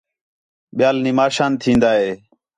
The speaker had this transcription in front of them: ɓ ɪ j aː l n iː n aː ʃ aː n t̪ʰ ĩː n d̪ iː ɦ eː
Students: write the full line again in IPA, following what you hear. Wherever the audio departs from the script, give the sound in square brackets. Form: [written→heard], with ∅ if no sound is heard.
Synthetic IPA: ɓ ɪ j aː l n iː [n→m] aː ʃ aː n t̪ʰ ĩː n d̪ [iː→aː] ɦ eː